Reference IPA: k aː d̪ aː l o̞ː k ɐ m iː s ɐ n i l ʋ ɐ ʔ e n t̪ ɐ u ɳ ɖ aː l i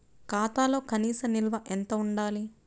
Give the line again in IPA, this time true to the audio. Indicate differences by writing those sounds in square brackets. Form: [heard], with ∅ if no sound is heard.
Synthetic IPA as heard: k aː [t̪] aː l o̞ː k ɐ [n] iː s ɐ n i l ʋ ɐ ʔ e n t̪ ɐ u ɳ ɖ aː l i